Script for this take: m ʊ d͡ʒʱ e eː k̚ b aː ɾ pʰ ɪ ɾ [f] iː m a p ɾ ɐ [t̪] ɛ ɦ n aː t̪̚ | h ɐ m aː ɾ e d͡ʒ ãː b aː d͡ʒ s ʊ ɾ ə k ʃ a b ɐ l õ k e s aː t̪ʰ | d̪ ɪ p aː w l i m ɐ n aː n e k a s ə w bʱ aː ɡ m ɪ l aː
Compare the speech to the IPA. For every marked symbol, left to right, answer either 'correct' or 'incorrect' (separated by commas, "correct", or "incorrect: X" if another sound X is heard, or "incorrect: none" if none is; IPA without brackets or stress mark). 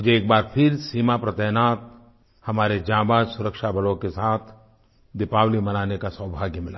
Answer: incorrect: s, correct